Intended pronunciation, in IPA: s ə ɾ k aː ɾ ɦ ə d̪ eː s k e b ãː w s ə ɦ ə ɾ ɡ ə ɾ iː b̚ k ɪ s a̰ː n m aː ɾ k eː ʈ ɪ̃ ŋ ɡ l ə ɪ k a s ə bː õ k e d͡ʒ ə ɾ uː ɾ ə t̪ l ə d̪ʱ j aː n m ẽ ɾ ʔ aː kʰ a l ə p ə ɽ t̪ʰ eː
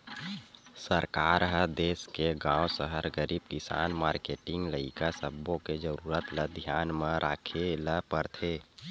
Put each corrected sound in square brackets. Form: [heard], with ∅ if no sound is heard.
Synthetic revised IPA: s ə ɾ k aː ɾ ɦ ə d̪ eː s k e [ɡ] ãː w s ə ɦ ə ɾ ɡ ə ɾ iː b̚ k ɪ s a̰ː n m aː ɾ k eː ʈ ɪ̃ ŋ ɡ l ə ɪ k a s ə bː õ k e d͡ʒ ə ɾ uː ɾ ə t̪ l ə d̪ʱ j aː n m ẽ ɾ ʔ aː kʰ [e] l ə p ə [ɾ] t̪ʰ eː